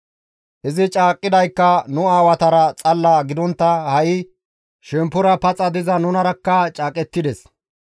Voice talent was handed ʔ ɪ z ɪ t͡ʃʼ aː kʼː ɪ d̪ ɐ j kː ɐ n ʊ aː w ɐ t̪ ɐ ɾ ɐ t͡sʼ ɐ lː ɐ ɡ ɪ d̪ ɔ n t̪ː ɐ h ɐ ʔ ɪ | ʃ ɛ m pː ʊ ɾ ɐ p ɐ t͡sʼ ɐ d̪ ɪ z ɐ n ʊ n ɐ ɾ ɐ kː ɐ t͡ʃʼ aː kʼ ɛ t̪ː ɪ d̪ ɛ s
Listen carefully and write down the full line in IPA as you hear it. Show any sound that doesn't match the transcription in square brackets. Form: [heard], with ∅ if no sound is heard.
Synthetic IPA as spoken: ʔ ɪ z ɪ t͡ʃʼ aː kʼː ɪ d̪ ɐ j kː ɐ n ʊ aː w ɐ t̪ ɐ ɾ ɐ t͡sʼ ɐ lː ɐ ɡ ɪ d̪ ɔ n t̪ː ɐ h ɐ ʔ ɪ | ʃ ɛ m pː ʊ ɾ ɐ p ɐ t͡sʼ ɐ d̪ ɪ z ɐ n ʊ n ɐ ɾ ɐ kː ɐ t͡ʃʼ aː kʼ ɛ t̪ː ɪ d̪ ɛ s